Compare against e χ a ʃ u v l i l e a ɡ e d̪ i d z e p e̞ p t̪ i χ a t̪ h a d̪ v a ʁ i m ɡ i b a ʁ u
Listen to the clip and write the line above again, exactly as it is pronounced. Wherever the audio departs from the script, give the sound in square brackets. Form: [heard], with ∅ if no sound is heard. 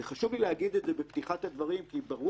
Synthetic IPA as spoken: e χ a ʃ u v l i l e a ɡ [i] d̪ [e] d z e [b] e̞ p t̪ i χ a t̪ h a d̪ v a ʁ i m [k] i b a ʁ u